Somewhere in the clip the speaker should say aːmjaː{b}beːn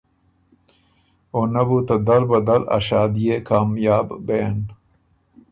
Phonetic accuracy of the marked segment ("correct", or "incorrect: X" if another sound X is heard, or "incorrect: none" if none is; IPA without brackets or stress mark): correct